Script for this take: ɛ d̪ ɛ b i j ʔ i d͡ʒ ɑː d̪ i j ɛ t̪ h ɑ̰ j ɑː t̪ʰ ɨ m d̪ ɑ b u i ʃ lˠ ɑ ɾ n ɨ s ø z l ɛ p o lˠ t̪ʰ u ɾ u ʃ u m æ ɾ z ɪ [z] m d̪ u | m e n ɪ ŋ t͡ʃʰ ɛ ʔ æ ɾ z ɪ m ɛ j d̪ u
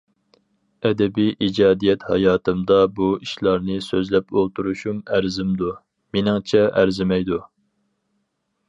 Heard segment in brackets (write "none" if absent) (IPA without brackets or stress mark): none